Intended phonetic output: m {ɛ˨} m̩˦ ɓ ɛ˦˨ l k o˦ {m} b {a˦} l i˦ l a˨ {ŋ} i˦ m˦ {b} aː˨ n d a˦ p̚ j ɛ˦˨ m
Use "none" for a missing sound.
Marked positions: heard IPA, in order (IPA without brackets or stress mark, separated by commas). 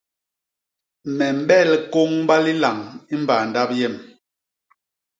ɛ˨, ŋ, a˦, ŋ, b